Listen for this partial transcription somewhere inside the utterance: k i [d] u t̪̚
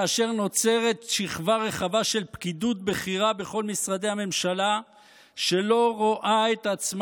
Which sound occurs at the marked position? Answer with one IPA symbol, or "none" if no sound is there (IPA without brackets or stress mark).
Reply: d